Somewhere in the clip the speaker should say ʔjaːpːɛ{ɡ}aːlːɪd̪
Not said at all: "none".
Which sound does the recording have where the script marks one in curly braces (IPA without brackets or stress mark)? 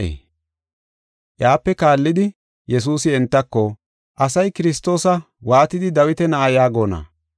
k